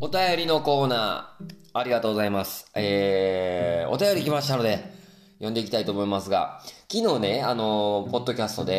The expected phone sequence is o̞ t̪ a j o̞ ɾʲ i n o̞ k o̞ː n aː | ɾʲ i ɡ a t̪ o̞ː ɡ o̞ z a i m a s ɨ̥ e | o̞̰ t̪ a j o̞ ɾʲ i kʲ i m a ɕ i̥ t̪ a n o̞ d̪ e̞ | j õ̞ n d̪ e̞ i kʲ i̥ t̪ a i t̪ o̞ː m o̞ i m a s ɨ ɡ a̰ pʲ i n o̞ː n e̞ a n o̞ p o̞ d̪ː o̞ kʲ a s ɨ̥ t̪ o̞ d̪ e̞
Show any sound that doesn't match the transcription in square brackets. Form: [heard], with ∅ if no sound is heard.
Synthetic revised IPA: o̞ t̪ a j o̞ ɾʲ i n o̞ k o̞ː n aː | ɾʲ i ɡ a t̪ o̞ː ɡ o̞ z a i m a s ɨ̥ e | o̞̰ t̪ a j o̞ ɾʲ i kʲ i m a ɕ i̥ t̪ a n o̞ d̪ e̞ | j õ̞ n d̪ e̞ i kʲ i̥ t̪ a i t̪ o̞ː m o̞ i m a s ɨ ɡ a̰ [kʲ] i n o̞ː n e̞ a n o̞ p o̞ d̪ː o̞ kʲ a s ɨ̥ t̪ o̞ d̪ e̞